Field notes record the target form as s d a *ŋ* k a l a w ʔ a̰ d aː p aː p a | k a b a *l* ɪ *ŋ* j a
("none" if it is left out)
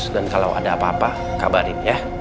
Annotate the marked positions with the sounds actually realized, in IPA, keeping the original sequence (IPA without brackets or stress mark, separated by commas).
n, ɾ, n